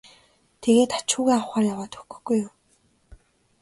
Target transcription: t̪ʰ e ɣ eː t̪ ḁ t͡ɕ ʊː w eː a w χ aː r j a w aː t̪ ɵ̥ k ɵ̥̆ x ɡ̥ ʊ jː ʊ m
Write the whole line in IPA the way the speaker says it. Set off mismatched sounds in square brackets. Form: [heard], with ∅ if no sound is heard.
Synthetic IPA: t̪ʰ e ɣ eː t̪ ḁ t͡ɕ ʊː [ɣ] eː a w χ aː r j a w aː t̪ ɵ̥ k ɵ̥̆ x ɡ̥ [u] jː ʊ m